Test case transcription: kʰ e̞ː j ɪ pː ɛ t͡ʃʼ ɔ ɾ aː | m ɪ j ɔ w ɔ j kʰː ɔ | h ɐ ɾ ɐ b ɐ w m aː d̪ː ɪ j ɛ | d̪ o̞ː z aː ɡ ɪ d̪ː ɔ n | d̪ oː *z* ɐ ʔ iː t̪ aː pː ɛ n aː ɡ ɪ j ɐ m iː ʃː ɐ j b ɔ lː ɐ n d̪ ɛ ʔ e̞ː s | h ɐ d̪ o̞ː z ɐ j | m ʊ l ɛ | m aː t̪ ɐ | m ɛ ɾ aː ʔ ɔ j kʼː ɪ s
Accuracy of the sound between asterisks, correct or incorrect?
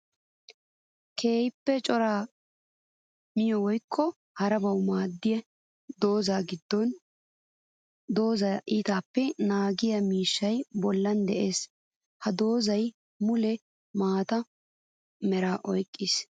correct